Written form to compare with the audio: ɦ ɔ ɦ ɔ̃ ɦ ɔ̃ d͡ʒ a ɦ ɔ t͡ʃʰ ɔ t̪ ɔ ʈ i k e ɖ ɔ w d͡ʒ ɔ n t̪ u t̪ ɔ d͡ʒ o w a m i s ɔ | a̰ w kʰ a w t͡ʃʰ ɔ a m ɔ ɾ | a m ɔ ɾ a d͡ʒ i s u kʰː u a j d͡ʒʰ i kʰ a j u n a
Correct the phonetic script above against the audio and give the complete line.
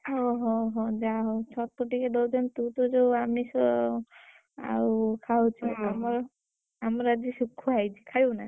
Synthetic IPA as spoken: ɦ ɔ ɦ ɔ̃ ɦ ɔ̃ d͡ʒ a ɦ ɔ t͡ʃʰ ɔ t̪ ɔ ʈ i k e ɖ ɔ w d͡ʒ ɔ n t̪ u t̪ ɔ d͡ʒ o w a m i s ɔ | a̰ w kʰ a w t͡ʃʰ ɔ a m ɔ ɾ | a m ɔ ɾ a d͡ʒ i s u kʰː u a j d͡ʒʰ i kʰ a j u n a